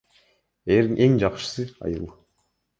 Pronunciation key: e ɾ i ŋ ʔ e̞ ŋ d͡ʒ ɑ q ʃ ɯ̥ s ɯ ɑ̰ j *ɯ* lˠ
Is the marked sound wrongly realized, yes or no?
no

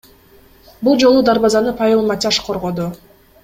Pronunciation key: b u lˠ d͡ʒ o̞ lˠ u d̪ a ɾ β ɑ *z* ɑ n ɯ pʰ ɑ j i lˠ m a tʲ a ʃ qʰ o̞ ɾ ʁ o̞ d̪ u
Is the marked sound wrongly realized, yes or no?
no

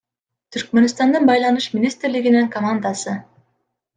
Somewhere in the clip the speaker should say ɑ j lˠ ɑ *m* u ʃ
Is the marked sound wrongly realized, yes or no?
yes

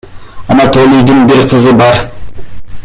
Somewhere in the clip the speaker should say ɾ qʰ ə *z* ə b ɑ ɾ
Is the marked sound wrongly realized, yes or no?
no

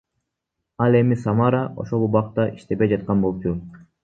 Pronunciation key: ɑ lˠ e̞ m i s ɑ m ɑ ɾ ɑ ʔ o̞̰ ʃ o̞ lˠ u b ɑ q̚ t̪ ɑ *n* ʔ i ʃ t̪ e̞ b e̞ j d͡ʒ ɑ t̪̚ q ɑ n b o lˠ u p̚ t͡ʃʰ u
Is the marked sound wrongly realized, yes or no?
yes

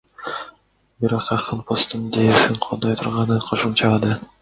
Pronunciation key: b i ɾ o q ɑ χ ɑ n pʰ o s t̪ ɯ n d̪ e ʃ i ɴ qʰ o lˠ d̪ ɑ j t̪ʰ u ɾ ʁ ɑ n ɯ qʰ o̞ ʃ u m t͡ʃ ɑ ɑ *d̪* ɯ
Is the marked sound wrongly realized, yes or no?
no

